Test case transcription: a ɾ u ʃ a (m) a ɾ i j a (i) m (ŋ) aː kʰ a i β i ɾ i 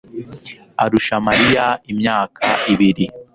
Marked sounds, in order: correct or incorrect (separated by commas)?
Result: correct, correct, incorrect